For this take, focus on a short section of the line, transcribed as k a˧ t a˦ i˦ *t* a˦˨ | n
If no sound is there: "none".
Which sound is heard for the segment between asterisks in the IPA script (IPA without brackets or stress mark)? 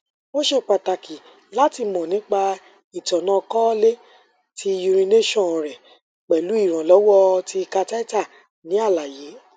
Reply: t